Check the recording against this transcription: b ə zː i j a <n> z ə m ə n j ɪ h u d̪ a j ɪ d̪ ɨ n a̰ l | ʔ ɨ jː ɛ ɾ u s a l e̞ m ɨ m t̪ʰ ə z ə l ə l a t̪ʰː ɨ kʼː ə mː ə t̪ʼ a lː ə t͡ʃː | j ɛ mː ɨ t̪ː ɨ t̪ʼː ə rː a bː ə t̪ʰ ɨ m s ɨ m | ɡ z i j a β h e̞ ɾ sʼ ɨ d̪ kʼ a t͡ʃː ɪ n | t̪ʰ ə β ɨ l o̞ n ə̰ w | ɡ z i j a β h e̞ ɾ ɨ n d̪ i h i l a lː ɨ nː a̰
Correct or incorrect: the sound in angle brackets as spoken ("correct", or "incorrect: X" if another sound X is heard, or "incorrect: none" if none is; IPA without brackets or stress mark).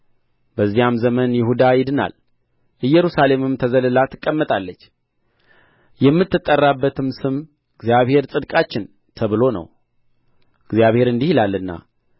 incorrect: m